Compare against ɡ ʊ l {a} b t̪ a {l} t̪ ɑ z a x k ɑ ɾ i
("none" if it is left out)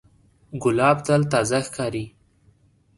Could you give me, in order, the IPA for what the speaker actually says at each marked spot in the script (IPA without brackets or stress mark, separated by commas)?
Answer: ɑ, l